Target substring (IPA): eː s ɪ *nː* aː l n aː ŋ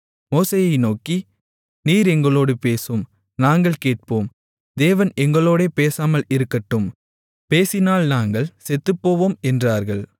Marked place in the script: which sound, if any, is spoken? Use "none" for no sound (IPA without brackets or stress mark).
n